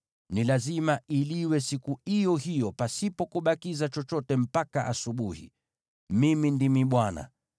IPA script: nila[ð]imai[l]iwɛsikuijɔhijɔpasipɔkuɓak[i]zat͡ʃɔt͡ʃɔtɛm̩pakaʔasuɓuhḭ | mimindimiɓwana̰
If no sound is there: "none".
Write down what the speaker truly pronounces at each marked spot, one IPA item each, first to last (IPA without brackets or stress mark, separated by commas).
z, l, i